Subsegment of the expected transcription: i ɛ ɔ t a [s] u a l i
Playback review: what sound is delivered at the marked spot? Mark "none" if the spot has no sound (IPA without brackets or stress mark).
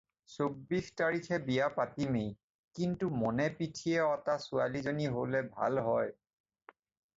s